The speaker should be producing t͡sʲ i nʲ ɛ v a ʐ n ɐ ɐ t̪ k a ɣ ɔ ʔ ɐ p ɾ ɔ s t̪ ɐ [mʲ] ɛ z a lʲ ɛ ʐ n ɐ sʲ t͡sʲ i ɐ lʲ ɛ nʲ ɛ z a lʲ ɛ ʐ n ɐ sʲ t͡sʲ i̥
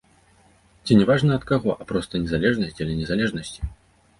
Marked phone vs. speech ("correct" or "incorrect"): incorrect